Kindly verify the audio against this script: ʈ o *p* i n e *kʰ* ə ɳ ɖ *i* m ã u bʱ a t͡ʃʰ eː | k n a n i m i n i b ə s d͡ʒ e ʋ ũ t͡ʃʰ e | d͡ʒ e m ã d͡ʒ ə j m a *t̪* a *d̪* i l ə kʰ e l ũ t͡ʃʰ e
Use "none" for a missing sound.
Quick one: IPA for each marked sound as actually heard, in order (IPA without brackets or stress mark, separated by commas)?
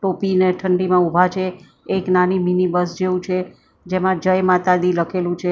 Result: p, ʈʰ, i, t̪, d̪